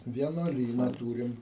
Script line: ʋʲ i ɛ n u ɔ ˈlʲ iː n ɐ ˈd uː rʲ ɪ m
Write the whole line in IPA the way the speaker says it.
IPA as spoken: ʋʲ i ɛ n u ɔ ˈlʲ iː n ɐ ˈt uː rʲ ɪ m